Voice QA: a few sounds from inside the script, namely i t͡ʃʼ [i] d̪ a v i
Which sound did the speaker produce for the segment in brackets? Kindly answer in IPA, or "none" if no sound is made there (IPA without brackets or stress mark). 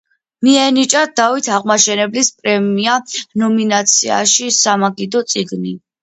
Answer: a